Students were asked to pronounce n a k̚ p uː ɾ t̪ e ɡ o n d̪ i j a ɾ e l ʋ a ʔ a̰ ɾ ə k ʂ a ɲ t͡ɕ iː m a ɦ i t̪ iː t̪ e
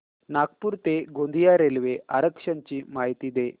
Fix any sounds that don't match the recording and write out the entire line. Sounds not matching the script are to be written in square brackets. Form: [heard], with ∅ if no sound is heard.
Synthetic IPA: n a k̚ p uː ɾ t̪ e ɡ o n d̪ i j a ɾ e l ʋ [e] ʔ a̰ ɾ ə k ʂ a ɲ t͡ɕ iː m a ɦ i t̪ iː [d̪] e